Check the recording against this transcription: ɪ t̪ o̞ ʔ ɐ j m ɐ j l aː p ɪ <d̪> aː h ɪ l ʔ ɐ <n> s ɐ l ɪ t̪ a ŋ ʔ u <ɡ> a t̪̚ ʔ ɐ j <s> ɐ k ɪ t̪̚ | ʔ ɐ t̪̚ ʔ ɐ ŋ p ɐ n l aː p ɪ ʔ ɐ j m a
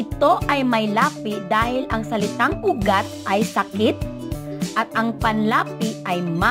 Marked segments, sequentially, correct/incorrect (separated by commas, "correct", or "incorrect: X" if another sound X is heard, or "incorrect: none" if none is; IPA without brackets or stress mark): correct, incorrect: ŋ, correct, correct